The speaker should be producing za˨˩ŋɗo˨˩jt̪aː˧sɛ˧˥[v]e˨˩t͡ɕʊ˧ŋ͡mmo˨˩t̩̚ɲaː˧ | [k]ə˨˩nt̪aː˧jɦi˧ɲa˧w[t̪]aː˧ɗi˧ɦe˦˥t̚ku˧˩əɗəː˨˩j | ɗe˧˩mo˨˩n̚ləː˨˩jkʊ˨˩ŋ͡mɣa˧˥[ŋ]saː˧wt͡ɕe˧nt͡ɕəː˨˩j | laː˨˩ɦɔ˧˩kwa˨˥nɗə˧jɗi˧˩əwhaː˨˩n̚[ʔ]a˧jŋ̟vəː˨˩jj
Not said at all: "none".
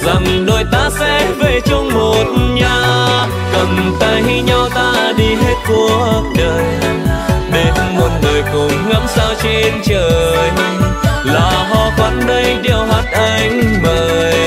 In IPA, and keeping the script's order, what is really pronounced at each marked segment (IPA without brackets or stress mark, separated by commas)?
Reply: v, k, t̪, m, ʔ